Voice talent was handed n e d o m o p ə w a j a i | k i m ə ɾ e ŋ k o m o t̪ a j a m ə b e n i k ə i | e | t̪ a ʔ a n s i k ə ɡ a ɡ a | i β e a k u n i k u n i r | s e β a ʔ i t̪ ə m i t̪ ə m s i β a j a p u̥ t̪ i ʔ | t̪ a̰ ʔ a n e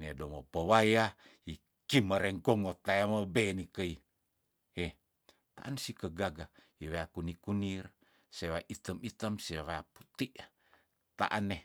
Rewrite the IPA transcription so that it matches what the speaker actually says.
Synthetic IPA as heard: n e d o m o p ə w a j a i | k i m ə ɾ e ŋ k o ŋ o t̪ a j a m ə b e n i k ə i | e | t̪ a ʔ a n s i k ə ɡ a ɡ a | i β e a k u n i k u n i r | s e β a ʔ i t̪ ə m i t̪ ə m s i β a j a p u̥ t̪ i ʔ | t̪ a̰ ʔ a n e